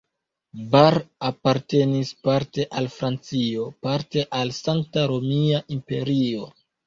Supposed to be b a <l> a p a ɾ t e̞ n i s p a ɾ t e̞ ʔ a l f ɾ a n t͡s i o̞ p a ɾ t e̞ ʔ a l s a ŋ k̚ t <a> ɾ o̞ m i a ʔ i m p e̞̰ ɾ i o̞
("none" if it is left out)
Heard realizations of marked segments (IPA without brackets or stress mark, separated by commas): ɾ, a